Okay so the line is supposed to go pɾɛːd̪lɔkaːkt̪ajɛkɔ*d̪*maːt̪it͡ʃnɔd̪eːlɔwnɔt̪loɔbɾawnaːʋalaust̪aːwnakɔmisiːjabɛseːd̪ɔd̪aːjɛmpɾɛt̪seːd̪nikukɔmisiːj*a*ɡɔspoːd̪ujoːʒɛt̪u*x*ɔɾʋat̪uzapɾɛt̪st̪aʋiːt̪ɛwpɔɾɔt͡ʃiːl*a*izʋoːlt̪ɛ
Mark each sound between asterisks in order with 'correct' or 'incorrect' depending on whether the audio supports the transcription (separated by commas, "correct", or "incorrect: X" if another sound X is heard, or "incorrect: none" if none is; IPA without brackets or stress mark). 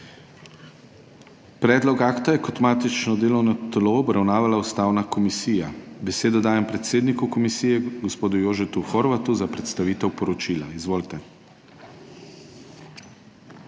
incorrect: t̪, incorrect: ɛ, correct, correct